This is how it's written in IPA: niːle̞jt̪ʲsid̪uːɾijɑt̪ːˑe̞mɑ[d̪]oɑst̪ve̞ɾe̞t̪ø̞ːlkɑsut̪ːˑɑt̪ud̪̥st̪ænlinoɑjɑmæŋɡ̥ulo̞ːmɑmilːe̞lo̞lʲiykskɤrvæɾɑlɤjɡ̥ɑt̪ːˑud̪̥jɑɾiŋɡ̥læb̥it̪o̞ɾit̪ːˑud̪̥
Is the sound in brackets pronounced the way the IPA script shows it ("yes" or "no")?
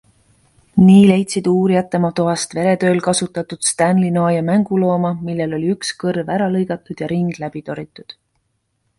no